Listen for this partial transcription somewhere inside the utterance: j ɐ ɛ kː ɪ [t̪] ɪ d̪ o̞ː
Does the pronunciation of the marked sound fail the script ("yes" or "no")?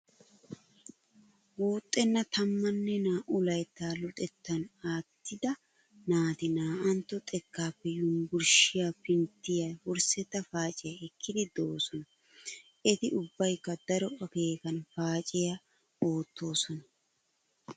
yes